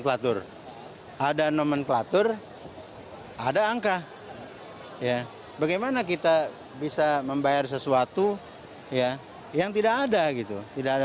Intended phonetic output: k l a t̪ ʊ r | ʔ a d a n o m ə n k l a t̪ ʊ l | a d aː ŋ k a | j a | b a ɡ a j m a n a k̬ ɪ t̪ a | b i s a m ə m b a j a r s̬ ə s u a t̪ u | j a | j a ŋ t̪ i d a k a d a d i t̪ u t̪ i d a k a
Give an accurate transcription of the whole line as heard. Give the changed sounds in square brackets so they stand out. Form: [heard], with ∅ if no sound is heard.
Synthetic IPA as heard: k l a t̪ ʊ r | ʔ a d a n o m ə n k l a t̪ ʊ [r] | a d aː ŋ k a | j a | b a ɡ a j m a n a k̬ [i] t̪ a | b i s a m ə m b a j a r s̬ ə s u a t̪ u | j a | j a ŋ t̪ i d a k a d a [ɡ] i t̪ u t̪ i d a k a